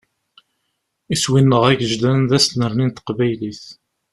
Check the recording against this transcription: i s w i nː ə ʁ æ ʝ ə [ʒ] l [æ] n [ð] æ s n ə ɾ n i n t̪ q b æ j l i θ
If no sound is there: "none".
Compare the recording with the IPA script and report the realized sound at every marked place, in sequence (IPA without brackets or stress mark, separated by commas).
ʒ, æ, ð